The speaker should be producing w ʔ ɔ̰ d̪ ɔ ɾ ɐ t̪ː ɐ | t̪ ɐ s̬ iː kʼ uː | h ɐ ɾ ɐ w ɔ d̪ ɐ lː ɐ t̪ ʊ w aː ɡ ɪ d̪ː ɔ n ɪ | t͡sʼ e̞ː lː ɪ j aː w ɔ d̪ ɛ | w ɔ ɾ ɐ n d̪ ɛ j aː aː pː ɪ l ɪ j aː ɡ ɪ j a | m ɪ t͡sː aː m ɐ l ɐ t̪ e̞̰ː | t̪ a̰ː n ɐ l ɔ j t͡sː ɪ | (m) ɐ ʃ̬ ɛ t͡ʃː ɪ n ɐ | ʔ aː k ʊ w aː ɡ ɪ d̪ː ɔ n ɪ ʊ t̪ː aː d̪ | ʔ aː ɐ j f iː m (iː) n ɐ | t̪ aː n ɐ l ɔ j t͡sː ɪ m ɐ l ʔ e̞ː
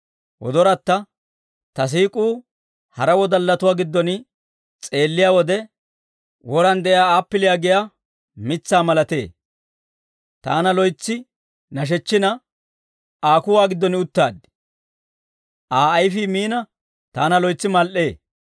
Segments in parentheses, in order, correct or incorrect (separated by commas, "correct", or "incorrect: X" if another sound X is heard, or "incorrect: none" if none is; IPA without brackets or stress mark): incorrect: n, correct